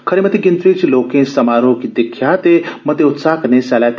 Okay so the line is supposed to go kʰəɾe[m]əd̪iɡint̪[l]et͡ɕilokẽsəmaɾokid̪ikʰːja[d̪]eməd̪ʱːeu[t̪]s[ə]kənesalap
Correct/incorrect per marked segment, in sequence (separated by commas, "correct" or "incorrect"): correct, incorrect, incorrect, correct, incorrect